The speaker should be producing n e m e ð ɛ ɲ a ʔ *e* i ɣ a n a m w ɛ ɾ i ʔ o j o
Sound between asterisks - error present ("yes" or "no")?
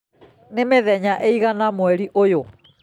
no